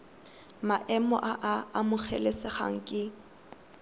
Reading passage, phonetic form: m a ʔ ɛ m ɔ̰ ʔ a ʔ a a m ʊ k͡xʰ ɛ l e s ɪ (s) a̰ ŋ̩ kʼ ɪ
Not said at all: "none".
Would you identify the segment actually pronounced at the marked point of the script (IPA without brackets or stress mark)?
χ